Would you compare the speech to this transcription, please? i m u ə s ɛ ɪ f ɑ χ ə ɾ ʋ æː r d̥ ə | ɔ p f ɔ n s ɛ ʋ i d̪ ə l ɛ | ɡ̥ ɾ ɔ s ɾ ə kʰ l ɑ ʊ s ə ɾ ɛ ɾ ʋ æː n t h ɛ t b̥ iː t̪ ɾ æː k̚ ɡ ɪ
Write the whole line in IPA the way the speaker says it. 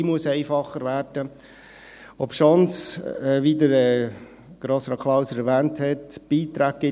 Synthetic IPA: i m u ə s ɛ ɪ f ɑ χ ə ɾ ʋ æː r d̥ ə | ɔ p ʃ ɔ n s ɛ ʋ i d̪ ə ɾ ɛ | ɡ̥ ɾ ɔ s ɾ ɑ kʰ l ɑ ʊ s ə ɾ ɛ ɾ ʋ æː n t h ɛ t b̥ iː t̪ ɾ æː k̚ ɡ ɪ

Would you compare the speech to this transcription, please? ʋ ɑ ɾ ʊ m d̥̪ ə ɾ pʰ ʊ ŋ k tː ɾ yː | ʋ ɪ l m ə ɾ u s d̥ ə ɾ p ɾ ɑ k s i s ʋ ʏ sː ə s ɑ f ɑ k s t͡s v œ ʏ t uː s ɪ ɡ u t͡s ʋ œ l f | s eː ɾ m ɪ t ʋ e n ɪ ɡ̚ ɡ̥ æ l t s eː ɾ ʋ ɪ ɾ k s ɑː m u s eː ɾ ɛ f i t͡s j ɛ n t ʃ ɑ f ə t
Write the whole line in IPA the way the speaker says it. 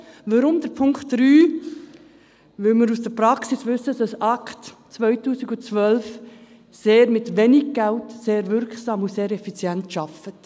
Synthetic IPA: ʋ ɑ ɾ ʊ m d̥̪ ə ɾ pʰ ʊ ŋ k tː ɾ yː | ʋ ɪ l m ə ɾ u s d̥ ə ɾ p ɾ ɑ k s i s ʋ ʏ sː ə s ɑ s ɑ k t t͡s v œ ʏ t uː s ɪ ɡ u t͡s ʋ œ l f | s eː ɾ m ɪ t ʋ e n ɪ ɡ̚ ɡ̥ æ l t s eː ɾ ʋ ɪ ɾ k s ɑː m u s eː ɾ ɛ f i t͡s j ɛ n t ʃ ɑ f ə t

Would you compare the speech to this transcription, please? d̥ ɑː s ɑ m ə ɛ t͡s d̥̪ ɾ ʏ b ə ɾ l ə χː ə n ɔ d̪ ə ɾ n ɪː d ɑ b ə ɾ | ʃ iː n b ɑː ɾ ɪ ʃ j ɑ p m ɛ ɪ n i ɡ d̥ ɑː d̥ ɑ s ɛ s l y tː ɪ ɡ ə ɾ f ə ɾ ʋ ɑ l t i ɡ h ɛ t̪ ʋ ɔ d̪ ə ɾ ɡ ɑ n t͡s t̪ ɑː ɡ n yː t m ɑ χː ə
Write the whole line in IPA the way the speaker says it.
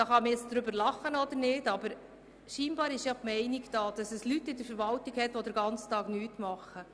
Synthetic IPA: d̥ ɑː χ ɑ m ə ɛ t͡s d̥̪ ɾ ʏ b ə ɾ l ɑ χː ə n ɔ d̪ ə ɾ n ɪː d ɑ b ə ɾ | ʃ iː n b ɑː ɾ ɪ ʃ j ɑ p m ɛ ɪ n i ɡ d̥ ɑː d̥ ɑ s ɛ s l y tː ɪ d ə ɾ f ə ɾ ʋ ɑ l t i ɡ h ɛ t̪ ʋ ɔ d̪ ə ɾ ɡ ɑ n t͡s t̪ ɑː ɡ n yː t m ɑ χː ə

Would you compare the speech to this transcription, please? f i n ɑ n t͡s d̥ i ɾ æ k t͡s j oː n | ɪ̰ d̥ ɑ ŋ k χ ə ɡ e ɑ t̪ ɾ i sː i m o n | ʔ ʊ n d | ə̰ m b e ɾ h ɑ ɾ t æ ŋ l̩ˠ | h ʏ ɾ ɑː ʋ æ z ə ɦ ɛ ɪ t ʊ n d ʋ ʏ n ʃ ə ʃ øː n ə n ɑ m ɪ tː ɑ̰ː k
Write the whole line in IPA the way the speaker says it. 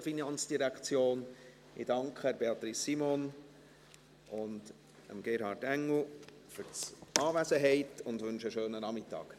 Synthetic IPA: f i n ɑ n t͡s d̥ i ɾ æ k t͡s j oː n | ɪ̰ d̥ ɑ ŋ k χ ə b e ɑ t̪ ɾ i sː i m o n | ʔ ʊ n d | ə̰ m ɡ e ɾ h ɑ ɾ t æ ŋ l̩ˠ | f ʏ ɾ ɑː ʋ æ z ə ɦ ɛ ɪ t ʊ n d ʋ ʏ n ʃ ə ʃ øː n ə n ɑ m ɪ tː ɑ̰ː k

